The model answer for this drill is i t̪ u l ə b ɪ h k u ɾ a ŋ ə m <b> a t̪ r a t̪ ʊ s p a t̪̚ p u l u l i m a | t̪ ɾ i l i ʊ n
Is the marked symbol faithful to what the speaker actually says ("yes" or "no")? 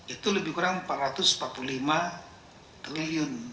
no